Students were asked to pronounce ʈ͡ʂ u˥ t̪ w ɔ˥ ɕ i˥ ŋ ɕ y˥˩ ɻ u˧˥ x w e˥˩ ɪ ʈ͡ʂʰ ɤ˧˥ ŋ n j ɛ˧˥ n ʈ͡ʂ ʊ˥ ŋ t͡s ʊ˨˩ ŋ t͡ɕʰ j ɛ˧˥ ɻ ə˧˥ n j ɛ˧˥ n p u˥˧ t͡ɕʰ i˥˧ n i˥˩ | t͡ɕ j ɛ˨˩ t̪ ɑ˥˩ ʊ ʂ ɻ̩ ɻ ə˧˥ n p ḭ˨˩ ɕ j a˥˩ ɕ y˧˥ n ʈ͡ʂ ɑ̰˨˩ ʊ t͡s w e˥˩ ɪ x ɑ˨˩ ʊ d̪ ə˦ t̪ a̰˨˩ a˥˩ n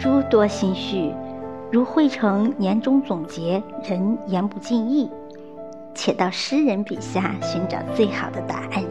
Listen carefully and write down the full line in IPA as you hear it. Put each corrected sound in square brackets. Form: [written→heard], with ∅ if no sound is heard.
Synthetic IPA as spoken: ʈ͡ʂ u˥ t̪ w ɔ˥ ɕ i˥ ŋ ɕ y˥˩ ɻ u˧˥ x w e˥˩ ɪ ʈ͡ʂʰ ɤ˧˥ ŋ n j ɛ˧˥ n ʈ͡ʂ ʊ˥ ŋ t͡s ʊ˨˩ ŋ [t͡ɕʰ→t͡ɕ] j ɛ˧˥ ɻ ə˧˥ n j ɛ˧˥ n p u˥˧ [t͡ɕʰ→t͡ɕ] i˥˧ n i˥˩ | [t͡ɕ→t͡ɕʰ] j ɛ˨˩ t̪ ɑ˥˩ ʊ ʂ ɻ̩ ɻ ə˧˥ n p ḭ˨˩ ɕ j a˥˩ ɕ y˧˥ n ʈ͡ʂ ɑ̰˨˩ ʊ t͡s w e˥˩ ɪ x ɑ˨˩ ʊ d̪ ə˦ t̪ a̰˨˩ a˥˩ n